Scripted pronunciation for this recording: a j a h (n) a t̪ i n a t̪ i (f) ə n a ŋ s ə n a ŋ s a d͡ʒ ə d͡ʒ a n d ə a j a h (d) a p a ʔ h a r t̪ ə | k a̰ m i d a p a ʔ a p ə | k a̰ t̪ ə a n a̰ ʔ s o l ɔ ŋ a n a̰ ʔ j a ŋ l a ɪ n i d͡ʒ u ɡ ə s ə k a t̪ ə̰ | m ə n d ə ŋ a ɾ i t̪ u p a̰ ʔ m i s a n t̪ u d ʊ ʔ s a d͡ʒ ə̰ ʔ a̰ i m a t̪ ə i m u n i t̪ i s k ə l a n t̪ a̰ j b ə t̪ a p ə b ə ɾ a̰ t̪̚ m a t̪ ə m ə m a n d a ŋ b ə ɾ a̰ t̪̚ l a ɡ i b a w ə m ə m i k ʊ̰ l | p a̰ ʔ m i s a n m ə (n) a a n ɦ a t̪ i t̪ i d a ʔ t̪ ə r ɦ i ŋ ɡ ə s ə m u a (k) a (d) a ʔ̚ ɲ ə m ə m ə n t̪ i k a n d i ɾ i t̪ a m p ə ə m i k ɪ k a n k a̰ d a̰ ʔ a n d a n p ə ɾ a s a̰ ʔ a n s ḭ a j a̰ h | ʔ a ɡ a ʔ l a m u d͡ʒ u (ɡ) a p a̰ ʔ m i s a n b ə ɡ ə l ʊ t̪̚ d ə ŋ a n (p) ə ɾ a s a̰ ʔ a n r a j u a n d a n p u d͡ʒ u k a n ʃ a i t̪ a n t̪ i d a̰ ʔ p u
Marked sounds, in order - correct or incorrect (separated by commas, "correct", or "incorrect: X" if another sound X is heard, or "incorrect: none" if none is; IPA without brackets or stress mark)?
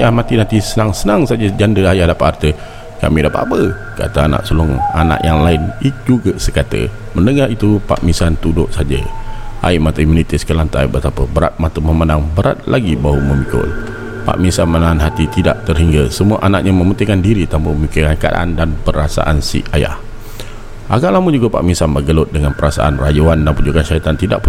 incorrect: m, incorrect: s, correct, correct, incorrect: ʔ, incorrect: n, correct, correct